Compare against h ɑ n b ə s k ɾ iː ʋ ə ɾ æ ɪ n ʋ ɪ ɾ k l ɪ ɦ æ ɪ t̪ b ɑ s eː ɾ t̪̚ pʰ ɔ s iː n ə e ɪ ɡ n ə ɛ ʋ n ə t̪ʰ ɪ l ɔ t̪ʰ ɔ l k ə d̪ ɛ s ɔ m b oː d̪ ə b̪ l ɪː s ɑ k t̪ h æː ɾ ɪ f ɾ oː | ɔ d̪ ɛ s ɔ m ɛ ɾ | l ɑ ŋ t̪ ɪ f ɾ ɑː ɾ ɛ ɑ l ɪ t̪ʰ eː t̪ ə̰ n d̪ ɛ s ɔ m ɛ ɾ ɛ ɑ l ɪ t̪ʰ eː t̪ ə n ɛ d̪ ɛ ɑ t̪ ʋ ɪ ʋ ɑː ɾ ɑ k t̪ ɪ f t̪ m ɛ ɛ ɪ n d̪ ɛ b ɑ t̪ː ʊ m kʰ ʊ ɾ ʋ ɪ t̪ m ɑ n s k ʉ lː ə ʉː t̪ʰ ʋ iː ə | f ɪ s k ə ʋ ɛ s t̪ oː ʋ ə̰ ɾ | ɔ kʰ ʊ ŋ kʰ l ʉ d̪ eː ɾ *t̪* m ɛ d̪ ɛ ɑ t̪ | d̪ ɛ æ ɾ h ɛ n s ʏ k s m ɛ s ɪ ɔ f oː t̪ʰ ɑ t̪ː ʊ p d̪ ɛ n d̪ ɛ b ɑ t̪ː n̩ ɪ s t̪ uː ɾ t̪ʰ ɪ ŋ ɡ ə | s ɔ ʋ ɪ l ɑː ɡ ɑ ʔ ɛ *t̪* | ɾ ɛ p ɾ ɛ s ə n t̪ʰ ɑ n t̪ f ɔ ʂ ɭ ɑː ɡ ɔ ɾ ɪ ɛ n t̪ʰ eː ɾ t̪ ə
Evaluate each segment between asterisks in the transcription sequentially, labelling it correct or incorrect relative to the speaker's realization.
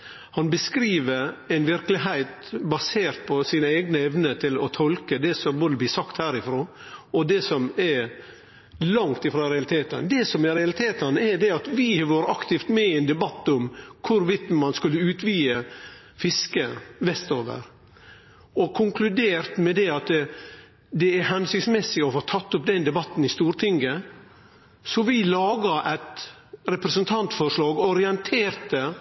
correct, correct

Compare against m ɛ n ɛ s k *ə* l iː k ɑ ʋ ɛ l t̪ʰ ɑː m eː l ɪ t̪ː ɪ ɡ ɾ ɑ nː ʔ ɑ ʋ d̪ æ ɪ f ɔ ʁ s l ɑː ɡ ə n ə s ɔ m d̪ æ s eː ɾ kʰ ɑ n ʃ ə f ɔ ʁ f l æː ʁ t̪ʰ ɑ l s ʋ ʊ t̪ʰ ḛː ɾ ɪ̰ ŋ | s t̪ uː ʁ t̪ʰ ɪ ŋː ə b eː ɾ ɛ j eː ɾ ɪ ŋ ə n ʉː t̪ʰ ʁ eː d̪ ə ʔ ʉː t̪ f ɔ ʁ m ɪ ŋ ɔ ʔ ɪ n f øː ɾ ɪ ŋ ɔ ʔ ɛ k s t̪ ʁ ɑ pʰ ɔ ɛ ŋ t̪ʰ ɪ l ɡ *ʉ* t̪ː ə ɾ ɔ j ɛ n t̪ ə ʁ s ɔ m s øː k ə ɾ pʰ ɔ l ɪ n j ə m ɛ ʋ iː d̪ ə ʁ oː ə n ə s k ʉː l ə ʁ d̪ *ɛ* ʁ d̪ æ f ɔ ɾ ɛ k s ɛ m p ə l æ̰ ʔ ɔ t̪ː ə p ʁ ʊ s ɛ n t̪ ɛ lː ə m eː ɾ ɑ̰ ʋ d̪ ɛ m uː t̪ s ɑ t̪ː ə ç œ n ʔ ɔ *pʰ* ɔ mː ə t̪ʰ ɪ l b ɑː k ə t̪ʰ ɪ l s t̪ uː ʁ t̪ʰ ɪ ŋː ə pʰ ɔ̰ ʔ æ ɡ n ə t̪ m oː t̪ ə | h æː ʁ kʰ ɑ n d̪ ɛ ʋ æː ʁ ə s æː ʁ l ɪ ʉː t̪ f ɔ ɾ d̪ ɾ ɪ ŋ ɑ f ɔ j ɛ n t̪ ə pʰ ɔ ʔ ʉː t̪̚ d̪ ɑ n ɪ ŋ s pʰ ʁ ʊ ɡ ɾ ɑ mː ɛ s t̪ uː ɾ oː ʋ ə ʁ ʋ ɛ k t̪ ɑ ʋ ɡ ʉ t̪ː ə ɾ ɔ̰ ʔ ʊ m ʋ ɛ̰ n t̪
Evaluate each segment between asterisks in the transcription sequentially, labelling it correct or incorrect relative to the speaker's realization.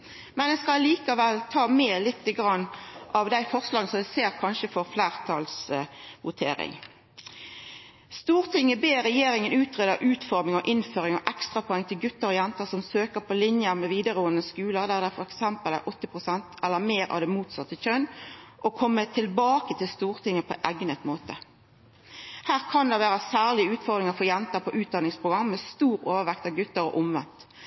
incorrect: ɑ, correct, incorrect: æ, incorrect: kʰ

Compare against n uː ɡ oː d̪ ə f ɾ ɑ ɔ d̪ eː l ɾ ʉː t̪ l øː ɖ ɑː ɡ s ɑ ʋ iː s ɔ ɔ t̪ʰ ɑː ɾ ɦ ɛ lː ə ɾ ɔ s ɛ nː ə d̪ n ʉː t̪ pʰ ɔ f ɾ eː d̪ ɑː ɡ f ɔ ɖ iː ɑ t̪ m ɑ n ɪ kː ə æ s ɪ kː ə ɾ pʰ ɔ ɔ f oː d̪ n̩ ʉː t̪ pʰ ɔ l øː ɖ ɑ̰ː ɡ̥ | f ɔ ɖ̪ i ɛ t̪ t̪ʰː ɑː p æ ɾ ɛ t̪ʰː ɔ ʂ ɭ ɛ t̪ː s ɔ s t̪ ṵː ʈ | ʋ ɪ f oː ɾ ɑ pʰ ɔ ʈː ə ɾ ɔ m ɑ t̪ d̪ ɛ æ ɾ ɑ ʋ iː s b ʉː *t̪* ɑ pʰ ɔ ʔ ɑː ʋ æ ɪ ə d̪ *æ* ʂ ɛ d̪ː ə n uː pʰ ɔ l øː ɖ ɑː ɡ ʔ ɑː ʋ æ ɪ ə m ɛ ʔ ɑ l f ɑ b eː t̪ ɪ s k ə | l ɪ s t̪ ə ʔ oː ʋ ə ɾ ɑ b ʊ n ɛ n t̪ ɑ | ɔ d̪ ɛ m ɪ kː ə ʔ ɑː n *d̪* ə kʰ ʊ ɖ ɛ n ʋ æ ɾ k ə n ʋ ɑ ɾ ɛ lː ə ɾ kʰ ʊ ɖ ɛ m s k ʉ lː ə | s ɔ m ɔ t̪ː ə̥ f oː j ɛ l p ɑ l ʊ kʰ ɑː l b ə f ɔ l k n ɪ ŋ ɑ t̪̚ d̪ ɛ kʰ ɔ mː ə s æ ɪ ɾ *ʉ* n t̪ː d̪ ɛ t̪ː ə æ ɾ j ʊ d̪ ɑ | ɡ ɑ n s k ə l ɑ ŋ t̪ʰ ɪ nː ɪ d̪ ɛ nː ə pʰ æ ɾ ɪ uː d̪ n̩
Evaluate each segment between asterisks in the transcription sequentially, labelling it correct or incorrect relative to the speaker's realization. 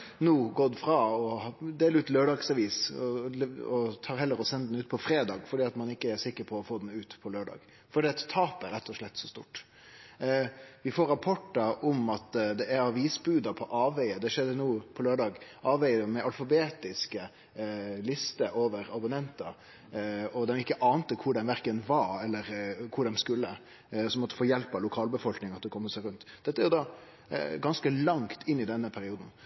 incorrect: d̪, incorrect: ɛ, incorrect: t̪, correct

